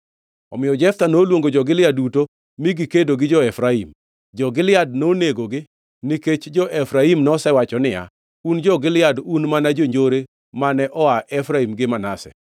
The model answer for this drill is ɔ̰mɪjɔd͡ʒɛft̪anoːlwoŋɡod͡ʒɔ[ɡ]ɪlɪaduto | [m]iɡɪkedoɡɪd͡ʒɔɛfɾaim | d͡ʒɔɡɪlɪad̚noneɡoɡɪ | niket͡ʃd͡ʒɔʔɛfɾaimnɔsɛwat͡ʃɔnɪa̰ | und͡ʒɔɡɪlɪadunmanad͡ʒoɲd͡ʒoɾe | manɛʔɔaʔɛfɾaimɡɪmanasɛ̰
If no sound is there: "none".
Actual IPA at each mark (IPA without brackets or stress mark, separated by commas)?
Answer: ɡ, m